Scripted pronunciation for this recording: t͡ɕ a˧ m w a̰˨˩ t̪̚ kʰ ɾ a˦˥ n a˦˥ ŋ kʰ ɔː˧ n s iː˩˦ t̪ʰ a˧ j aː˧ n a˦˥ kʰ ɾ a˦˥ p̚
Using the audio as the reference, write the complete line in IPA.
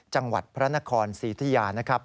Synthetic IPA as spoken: t͡ɕ a˧ ŋ w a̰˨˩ t̪̚ pʰ ɾ a˦˥ n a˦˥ kʰ ɔː˧ n s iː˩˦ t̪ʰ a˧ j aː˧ n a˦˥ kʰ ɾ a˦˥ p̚